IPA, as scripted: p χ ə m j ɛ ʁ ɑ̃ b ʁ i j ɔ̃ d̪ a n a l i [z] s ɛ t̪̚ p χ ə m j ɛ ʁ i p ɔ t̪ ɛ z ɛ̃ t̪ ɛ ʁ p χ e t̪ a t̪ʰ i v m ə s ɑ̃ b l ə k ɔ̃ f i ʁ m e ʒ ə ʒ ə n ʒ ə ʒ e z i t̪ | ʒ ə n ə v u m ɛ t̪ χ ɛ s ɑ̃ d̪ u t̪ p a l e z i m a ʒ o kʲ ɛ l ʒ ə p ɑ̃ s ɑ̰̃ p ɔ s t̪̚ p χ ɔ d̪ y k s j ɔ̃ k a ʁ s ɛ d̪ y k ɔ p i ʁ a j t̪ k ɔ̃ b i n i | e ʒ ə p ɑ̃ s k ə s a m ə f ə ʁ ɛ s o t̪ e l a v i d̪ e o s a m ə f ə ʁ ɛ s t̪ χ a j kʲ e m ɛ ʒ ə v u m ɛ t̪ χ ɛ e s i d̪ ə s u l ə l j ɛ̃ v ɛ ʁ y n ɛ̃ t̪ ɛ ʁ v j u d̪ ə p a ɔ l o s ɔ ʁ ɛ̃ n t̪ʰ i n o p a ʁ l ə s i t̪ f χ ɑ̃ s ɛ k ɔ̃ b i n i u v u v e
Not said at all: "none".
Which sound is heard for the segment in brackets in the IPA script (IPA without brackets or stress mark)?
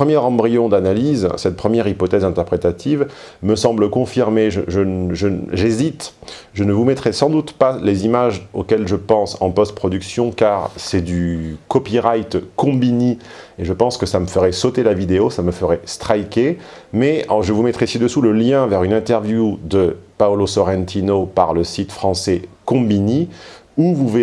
z